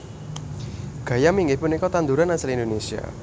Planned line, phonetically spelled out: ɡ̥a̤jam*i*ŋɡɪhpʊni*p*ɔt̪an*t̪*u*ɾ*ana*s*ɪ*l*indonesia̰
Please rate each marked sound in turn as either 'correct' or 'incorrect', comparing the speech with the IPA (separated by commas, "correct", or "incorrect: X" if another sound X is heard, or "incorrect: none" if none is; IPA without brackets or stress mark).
correct, incorrect: k, incorrect: d̪, correct, correct, correct